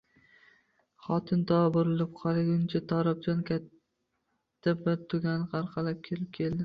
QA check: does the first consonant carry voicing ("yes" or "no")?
no